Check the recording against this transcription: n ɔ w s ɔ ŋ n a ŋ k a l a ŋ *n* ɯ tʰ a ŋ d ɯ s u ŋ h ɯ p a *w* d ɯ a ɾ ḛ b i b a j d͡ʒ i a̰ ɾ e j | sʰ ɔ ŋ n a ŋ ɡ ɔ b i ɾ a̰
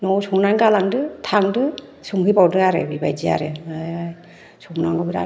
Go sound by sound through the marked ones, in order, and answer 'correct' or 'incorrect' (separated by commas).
incorrect, correct